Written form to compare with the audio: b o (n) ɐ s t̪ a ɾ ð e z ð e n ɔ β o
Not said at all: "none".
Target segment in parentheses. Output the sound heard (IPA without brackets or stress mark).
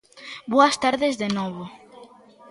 none